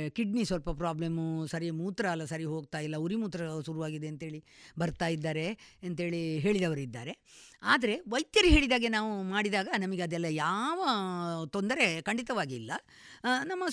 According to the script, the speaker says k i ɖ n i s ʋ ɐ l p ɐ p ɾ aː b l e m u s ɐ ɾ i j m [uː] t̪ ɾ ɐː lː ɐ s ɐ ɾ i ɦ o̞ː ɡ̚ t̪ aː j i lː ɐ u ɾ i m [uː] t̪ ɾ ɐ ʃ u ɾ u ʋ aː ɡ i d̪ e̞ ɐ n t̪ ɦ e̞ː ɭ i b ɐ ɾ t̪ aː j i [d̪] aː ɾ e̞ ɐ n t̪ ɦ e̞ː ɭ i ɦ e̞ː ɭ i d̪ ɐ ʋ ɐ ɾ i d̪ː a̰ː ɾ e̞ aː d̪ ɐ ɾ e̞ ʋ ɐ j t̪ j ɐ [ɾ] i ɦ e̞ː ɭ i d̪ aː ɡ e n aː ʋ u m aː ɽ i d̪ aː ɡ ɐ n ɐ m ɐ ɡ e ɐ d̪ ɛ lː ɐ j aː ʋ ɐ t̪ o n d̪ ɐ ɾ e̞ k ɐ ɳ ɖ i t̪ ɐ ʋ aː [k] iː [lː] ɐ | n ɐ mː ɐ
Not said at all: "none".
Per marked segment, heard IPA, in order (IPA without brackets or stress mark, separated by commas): uː, uː, d̪ː, ɾ, ɡ, lː